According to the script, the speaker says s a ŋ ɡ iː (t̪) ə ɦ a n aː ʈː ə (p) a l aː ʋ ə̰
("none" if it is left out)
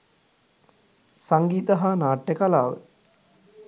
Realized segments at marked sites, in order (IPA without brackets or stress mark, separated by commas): t̪, k